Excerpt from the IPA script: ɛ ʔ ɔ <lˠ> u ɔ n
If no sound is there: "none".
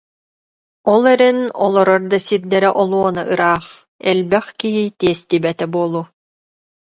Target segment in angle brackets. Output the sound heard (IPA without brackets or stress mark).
lˠ